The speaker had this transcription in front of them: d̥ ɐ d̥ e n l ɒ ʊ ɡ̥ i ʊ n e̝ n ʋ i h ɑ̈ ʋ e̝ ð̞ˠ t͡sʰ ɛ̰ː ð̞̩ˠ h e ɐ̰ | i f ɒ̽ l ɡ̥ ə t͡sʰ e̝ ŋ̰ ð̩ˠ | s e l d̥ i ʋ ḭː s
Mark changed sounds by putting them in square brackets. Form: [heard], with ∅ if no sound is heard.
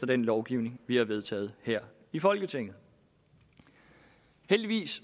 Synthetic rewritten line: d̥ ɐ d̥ e n l ɒ ʊ ɡ̥ i ʊ n e̝ [ŋ] ʋ i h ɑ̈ ʋ e̝ ð̞ˠ t͡sʰ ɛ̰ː ð̞̩ˠ h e ɐ̰ | i f ɒ̽ l ɡ̥ ə t͡sʰ e̝ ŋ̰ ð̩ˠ | [h] e l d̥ i ʋ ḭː s